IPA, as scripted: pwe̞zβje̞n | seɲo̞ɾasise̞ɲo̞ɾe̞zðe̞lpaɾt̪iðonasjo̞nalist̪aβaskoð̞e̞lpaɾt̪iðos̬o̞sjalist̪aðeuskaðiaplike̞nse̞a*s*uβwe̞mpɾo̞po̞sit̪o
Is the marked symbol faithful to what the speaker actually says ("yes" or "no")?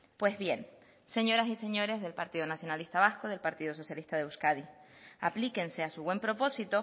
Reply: yes